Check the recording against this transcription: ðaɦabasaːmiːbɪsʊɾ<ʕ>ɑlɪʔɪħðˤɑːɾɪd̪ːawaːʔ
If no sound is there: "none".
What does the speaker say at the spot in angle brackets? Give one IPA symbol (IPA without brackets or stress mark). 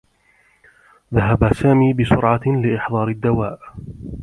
ʕ